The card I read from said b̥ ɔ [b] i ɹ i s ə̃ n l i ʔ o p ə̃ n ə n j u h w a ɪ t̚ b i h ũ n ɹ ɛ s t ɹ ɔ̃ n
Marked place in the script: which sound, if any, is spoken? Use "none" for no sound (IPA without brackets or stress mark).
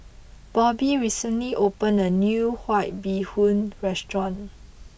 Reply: b